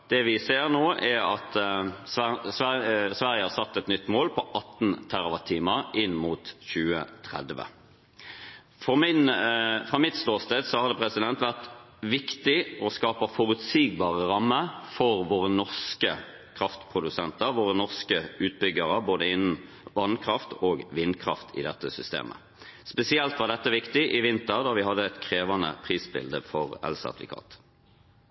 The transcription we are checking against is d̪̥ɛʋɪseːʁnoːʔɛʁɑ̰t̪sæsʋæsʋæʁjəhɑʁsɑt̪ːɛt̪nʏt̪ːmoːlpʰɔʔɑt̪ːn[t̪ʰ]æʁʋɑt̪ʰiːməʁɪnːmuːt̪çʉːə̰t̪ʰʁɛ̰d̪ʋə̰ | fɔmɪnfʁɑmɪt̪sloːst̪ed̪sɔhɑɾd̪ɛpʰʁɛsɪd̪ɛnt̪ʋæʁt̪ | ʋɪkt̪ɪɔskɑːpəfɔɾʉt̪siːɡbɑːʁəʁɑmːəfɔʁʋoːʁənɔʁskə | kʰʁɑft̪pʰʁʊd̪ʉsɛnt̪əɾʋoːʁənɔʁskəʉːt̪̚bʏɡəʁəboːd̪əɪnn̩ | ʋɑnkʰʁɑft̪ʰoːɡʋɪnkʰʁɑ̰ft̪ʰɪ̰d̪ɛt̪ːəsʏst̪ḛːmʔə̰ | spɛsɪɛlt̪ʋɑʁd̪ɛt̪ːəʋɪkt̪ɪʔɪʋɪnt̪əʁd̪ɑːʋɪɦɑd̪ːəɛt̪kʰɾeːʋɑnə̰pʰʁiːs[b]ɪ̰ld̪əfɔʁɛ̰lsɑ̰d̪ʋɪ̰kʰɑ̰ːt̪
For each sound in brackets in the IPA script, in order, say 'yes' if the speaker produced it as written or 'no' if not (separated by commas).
yes, yes